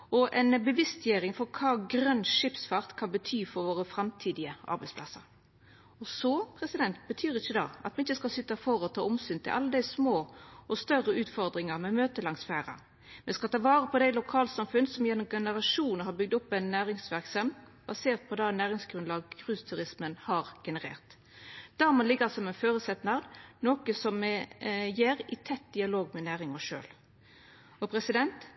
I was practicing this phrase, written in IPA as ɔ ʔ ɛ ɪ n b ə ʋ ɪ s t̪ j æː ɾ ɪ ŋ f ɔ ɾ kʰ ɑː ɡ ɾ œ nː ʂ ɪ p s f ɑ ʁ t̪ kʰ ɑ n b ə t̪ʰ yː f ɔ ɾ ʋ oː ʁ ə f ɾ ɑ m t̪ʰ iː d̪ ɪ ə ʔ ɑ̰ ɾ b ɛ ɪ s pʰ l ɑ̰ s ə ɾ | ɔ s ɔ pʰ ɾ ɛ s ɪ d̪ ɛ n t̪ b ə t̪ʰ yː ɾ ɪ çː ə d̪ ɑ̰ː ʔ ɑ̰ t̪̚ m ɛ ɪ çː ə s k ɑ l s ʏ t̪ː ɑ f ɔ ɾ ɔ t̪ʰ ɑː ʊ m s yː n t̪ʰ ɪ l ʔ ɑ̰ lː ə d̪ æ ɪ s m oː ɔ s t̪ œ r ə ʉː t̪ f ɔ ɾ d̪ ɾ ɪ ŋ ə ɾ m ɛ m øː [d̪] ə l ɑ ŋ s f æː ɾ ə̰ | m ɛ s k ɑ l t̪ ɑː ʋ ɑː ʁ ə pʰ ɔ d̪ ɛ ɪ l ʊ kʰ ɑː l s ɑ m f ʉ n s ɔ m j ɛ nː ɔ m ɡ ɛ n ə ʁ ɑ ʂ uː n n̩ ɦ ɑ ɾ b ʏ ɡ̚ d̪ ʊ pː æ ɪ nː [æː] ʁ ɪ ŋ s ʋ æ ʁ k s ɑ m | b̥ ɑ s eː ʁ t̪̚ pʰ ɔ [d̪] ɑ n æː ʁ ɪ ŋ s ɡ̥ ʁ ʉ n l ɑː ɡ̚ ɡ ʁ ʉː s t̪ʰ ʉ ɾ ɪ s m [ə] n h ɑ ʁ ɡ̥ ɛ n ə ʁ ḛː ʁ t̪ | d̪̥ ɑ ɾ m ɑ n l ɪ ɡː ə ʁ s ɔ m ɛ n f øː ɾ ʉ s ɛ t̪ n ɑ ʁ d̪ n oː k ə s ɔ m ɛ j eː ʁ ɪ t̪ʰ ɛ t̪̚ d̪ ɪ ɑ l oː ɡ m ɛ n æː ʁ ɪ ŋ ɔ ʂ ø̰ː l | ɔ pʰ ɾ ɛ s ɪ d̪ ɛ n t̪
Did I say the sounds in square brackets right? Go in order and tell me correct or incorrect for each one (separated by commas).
incorrect, correct, correct, correct